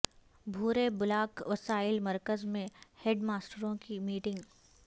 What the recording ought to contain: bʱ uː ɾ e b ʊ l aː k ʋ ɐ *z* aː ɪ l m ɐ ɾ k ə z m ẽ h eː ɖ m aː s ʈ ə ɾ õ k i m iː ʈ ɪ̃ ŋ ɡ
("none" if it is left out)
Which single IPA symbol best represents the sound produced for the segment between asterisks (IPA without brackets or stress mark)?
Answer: s